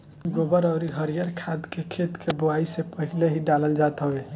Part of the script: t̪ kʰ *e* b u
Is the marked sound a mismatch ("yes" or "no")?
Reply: no